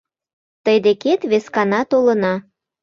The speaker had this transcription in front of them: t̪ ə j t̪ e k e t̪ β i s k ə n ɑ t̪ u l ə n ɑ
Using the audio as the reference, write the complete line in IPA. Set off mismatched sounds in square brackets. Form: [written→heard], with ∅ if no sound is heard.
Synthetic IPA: t̪ ə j [t̪→d̪] e k e t̪ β [i→e] s k [ə→ɑ] n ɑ t̪ [u→o] l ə n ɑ